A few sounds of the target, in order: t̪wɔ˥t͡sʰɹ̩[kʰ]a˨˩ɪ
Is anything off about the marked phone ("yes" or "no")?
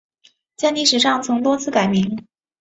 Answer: yes